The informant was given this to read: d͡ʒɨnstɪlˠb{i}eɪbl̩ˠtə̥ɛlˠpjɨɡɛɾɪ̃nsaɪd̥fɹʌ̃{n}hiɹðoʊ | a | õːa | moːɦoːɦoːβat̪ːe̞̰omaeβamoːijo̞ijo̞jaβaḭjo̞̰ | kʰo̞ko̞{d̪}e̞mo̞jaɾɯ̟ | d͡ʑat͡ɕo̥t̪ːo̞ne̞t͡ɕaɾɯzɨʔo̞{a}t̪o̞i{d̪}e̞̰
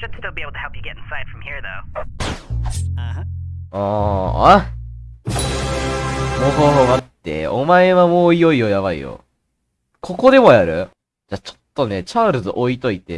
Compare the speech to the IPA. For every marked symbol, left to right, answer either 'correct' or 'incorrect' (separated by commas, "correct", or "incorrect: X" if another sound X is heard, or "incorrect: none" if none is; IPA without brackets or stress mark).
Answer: correct, incorrect: m, correct, incorrect: i, incorrect: t̪